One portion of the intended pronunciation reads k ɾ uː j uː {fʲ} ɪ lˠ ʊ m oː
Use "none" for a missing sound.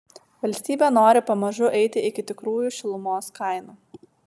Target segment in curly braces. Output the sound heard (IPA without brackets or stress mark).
ʃʲ